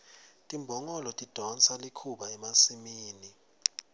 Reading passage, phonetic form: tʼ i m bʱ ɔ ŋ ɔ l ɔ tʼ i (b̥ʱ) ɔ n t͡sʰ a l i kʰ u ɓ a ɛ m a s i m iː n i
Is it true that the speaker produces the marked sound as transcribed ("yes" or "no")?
no